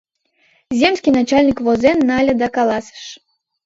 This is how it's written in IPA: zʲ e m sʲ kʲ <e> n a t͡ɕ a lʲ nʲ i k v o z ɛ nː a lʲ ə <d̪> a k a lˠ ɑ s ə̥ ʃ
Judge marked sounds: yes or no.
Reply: no, yes

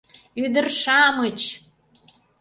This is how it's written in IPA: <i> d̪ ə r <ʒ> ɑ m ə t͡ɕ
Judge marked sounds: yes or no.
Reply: no, no

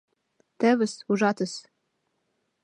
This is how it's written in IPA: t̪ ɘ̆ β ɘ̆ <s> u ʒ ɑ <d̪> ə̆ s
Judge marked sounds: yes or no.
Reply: yes, no

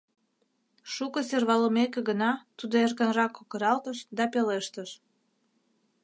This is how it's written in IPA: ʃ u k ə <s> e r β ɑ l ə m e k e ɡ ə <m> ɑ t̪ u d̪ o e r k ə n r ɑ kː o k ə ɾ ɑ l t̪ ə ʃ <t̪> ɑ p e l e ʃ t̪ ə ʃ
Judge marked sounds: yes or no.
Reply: yes, no, no

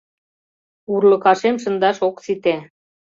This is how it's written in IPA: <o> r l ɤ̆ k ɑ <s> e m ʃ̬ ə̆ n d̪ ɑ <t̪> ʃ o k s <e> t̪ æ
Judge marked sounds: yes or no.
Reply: no, no, no, no

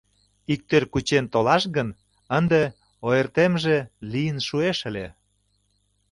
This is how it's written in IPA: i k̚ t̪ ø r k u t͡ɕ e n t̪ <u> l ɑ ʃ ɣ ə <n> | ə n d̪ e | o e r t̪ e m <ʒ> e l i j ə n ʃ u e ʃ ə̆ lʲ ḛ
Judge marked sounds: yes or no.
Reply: no, yes, yes

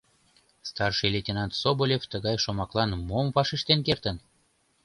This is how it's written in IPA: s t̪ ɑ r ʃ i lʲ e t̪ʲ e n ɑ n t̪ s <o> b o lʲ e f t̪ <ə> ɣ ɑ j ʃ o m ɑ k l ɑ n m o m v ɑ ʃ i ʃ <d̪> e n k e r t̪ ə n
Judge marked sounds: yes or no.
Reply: yes, yes, no

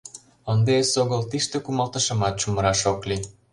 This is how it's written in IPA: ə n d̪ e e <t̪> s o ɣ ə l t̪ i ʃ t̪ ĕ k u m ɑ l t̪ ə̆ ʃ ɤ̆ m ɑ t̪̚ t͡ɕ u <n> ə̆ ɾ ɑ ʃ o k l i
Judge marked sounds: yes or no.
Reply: no, no

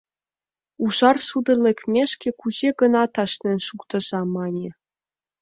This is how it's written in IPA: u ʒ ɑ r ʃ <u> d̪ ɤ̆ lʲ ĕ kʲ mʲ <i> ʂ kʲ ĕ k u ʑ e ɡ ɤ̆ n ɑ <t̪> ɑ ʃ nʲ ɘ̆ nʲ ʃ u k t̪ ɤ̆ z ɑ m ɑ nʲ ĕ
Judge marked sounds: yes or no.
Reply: yes, no, yes

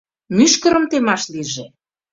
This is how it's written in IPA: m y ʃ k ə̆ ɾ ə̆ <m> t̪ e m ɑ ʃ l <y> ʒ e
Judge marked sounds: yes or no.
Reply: yes, no

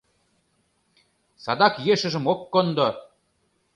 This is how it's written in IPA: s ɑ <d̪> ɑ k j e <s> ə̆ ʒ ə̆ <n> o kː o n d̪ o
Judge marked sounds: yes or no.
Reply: yes, no, no

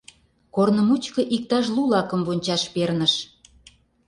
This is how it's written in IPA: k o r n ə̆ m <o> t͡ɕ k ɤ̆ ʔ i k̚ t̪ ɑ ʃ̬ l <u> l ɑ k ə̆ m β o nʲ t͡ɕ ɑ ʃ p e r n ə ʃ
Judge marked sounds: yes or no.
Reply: no, yes

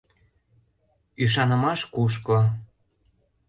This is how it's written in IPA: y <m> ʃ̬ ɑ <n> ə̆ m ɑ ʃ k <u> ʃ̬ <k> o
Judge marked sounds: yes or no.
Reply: no, yes, yes, yes

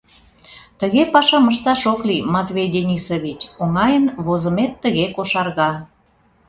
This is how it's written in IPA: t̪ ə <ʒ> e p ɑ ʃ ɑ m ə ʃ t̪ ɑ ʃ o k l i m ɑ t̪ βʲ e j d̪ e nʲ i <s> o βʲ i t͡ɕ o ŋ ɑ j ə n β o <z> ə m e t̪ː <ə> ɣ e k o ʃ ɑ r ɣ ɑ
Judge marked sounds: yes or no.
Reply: no, yes, yes, yes

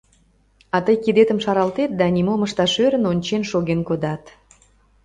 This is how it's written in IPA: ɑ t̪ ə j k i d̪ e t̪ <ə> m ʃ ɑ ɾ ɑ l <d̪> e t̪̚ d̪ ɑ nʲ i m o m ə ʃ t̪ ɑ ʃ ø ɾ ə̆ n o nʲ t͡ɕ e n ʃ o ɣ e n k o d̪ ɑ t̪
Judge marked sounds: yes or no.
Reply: yes, no

